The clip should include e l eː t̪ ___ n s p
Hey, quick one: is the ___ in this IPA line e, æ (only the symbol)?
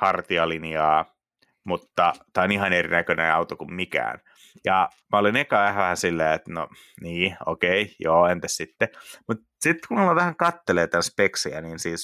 æ